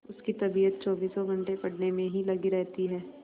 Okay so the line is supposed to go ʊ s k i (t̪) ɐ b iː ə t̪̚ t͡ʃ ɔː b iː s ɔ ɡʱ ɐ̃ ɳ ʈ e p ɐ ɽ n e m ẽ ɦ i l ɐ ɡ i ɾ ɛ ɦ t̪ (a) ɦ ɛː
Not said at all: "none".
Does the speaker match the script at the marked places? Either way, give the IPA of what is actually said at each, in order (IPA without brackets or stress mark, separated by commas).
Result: t̪, i